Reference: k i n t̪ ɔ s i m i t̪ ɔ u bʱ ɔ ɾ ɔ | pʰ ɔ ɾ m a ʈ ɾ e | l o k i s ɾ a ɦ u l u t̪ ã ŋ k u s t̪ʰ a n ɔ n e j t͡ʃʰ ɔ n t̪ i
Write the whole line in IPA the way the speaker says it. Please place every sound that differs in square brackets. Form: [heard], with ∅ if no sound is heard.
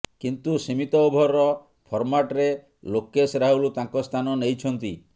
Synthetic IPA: k i n t̪ [u] s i m i t̪ ɔ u bʱ ɔ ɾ ɔ | pʰ ɔ ɾ m a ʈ ɾ e | l o k [e] s ɾ a ɦ u l u t̪ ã ŋ k [ɔ] s t̪ʰ a n ɔ n e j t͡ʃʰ ɔ n t̪ i